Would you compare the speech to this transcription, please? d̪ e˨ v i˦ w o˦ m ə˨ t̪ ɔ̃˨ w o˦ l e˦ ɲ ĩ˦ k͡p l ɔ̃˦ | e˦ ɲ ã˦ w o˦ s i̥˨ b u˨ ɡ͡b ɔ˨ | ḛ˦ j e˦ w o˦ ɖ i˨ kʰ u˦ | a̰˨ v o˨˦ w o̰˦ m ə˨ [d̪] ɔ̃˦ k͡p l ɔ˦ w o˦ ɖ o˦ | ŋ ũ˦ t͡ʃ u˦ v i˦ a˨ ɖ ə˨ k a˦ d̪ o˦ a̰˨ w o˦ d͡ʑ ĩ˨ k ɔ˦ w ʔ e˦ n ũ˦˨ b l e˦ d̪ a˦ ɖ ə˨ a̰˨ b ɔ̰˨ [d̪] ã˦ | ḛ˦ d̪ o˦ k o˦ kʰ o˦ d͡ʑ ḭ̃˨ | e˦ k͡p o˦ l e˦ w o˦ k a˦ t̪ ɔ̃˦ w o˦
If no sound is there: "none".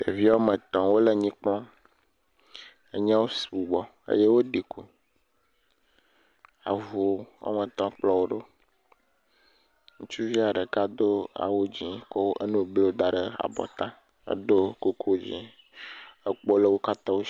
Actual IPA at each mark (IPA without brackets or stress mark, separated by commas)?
t̪, t̪